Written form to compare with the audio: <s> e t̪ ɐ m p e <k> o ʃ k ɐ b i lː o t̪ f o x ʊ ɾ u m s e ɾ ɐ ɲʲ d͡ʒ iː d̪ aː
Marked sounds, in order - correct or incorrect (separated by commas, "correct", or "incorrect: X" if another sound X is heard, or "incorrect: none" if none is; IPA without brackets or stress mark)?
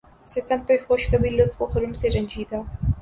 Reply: correct, incorrect: x